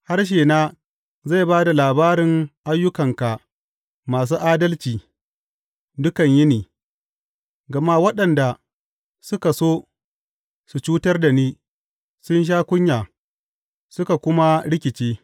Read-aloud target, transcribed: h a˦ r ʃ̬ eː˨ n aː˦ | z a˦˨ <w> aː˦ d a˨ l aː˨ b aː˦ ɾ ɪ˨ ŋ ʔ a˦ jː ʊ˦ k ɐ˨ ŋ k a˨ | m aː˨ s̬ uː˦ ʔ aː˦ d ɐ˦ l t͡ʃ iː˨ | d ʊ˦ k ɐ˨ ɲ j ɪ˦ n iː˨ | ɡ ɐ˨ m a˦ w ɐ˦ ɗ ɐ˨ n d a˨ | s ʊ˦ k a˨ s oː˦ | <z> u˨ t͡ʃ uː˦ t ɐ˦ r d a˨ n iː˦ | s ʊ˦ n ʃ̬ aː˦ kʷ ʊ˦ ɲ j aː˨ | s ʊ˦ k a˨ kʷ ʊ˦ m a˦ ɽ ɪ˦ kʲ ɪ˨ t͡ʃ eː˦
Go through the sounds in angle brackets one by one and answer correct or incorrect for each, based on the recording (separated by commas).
incorrect, incorrect